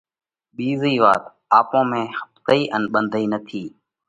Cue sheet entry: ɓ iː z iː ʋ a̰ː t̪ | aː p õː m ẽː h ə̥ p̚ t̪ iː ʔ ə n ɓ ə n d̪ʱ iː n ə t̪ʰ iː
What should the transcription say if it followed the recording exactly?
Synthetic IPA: ɓ iː z iː ʋ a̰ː t̪ | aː p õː m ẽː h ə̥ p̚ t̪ iː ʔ ə n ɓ ə n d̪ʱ iː n ə t̪ʰ iː